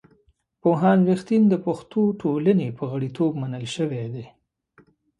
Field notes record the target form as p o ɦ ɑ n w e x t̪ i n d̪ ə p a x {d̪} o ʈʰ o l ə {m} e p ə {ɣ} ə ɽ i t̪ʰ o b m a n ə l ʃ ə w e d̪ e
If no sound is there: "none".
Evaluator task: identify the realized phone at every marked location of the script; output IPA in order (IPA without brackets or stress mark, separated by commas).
t̪, n, ɣ